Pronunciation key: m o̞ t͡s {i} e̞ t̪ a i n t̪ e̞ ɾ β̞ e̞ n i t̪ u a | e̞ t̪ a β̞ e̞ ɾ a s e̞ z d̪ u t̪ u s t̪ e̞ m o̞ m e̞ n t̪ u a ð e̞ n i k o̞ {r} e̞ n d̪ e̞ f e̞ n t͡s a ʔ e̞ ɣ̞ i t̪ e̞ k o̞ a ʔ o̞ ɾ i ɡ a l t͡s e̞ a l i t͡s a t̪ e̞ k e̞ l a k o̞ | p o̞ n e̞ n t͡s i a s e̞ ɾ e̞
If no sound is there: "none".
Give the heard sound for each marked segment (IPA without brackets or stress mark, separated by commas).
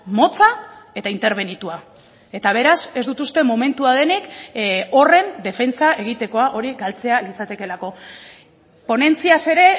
a, r